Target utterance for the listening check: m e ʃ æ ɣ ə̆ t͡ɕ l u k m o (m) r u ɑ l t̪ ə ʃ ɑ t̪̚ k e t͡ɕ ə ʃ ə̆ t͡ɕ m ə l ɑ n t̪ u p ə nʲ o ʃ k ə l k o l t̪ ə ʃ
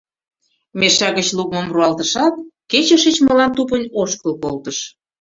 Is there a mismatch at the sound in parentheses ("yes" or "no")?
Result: no